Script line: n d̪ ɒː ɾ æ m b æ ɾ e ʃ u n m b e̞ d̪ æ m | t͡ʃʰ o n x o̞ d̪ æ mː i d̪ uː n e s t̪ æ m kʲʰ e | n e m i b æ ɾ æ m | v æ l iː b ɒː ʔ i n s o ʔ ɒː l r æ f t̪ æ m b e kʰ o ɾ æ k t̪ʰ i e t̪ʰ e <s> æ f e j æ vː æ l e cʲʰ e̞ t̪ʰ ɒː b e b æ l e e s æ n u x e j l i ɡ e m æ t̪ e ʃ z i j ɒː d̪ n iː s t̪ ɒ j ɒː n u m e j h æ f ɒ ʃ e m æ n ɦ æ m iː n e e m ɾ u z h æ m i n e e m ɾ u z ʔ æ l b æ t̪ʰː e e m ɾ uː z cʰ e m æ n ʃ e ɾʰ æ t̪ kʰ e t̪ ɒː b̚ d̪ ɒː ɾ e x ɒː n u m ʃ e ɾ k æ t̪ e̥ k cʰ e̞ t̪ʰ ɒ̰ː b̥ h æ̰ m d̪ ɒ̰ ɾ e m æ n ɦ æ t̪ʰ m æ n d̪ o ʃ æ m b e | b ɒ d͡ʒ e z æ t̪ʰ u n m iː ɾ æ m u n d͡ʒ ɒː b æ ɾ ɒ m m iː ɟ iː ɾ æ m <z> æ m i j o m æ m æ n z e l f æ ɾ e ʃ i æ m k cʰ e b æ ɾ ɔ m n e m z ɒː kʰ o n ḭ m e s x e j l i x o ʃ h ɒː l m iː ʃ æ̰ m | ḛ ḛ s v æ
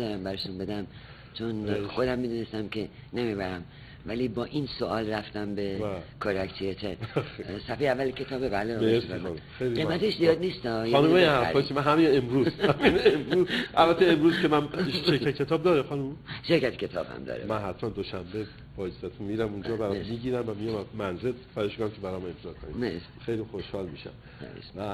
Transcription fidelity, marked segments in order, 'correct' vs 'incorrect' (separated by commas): correct, incorrect